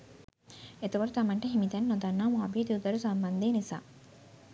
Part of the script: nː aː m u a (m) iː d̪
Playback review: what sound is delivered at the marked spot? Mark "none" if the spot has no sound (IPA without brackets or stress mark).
b